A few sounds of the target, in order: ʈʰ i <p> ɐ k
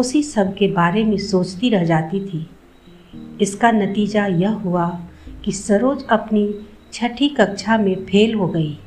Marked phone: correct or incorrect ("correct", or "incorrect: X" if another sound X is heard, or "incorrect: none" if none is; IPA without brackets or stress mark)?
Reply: incorrect: k